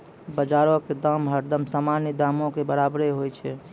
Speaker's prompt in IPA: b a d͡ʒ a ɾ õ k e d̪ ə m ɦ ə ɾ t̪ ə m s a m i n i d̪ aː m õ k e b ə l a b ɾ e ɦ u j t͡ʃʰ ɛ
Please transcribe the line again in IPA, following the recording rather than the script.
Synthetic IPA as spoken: b ə d͡ʒ a ɾ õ k e d̪ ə m ɦ ə ɾ d̪ ə m s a m a n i d̪ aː m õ k e b ə ɾ a b ɾ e ɦ o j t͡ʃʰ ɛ